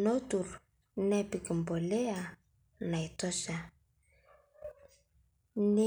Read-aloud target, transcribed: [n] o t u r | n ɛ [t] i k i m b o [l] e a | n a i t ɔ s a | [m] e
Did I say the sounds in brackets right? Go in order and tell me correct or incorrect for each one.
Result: correct, incorrect: p, correct, incorrect: n

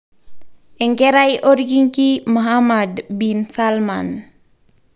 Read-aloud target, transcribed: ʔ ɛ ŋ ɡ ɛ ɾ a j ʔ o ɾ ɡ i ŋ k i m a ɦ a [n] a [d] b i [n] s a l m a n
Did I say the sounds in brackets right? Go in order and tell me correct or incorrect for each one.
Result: incorrect: m, correct, correct

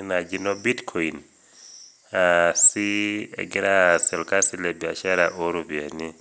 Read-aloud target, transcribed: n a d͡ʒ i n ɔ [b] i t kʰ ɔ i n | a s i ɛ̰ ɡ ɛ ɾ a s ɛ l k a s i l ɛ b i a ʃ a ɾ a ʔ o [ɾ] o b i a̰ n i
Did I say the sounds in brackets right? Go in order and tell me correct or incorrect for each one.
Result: correct, correct

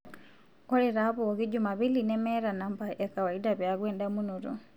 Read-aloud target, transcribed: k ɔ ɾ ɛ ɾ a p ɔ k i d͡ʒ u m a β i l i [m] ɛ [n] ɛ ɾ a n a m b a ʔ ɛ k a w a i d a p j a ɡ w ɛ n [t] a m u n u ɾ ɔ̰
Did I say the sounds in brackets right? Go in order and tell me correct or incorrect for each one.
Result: incorrect: n, incorrect: m, incorrect: d

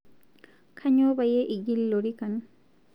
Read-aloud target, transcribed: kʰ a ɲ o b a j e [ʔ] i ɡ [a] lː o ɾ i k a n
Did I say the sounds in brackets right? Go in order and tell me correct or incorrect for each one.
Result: correct, incorrect: i

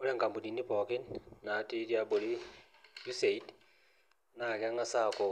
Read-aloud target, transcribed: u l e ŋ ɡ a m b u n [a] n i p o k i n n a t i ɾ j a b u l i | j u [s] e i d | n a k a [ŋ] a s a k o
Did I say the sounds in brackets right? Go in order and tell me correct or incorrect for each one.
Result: incorrect: i, correct, correct

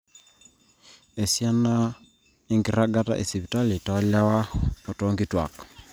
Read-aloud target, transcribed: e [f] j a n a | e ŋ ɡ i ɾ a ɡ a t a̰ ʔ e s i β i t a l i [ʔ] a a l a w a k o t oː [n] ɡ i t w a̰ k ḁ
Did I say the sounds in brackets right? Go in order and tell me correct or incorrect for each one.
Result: incorrect: s, incorrect: t, incorrect: ŋ

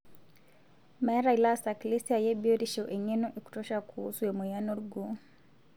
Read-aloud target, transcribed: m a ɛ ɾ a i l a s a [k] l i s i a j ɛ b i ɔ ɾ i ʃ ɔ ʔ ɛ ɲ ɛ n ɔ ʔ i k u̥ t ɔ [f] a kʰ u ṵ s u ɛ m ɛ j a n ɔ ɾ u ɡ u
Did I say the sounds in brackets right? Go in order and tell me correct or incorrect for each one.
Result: correct, incorrect: ʃ

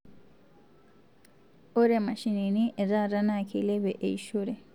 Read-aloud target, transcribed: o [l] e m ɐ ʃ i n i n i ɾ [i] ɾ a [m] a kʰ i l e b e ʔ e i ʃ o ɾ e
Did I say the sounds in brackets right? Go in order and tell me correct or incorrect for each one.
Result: incorrect: ɾ, incorrect: a, incorrect: n

